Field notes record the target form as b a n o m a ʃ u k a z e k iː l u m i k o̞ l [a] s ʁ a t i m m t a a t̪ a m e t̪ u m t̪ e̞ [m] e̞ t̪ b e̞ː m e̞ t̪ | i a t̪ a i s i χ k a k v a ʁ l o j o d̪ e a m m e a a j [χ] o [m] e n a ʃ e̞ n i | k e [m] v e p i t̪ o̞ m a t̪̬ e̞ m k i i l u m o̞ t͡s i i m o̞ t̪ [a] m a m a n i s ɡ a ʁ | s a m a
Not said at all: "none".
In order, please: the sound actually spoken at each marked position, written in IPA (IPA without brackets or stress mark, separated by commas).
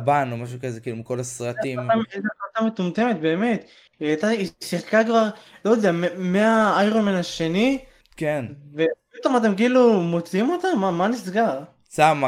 a, m, ʁ, m, n, a